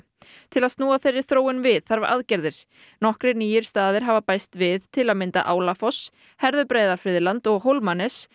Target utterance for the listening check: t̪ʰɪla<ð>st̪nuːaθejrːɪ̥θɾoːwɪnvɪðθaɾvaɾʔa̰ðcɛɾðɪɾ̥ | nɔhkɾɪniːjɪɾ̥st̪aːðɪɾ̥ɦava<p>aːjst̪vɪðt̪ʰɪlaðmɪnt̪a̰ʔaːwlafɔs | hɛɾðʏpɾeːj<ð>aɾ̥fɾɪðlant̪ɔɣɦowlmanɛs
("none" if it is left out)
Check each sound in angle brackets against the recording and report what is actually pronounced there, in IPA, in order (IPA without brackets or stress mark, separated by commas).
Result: ð, p, ð